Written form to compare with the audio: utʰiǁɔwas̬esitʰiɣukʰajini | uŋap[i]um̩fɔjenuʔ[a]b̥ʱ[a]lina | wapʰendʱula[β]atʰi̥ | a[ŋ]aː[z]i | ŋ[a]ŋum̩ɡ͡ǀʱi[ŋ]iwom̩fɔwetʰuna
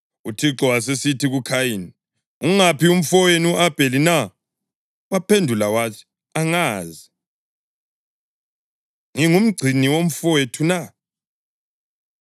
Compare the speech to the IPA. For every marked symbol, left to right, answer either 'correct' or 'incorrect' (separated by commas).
correct, correct, incorrect, incorrect, correct, correct, incorrect, incorrect